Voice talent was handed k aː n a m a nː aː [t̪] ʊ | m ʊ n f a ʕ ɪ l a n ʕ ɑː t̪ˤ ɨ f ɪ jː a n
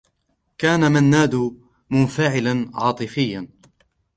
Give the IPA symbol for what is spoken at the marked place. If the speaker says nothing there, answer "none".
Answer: d̪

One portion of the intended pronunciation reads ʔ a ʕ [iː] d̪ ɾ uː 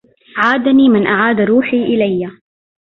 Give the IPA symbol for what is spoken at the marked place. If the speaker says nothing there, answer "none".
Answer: aː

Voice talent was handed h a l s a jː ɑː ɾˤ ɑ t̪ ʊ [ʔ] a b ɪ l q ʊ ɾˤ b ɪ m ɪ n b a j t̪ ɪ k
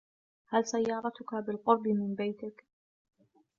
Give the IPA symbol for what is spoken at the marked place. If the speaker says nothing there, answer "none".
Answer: k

